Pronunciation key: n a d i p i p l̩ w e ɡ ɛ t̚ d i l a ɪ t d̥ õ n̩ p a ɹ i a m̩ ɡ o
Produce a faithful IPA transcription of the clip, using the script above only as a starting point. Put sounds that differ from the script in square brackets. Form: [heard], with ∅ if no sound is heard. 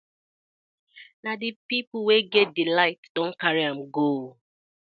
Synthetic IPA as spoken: n a d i p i p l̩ w e ɡ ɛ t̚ d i l a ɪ t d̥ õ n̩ [k] a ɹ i a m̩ ɡ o